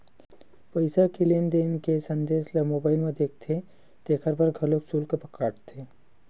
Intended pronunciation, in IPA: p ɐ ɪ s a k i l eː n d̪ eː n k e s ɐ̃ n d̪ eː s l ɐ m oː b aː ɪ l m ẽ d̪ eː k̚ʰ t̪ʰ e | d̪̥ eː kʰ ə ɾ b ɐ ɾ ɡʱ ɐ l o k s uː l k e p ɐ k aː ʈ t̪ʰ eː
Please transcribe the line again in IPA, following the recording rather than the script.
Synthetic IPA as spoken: p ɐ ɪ s a k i l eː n d̪ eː n k e s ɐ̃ n d̪ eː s l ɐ m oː b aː ɪ l m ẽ d̪ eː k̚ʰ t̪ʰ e | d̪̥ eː kʰ ə ɾ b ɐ ɾ ɡʱ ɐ l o k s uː l k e p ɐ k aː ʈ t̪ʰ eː